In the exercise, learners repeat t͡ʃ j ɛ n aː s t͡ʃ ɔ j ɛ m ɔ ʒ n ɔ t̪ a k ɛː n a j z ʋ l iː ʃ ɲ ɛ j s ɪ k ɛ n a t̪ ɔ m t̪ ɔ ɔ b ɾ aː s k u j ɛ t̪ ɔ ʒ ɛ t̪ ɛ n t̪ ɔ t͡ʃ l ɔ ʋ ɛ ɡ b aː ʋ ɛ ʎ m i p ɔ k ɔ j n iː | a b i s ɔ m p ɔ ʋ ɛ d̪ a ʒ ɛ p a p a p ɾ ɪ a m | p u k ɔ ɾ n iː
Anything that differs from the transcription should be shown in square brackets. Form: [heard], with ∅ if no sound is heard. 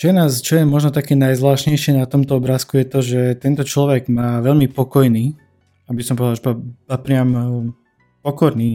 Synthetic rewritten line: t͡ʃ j ɛ n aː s t͡ʃ ɔ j ɛ m ɔ ʒ n ɔ t̪ a k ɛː n a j z ʋ l [aː] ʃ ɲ ɛ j [ʃ] ɪ [∅] ɛ n a t̪ ɔ m t̪ ɔ ɔ b ɾ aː s k u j ɛ t̪ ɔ ʒ ɛ t̪ ɛ n t̪ ɔ t͡ʃ l ɔ ʋ ɛ ɡ [m] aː ʋ ɛ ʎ m i p ɔ k ɔ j n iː | a b i s ɔ m p ɔ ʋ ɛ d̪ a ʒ ɛ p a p a p ɾ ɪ a m | p [ɔ] k ɔ ɾ n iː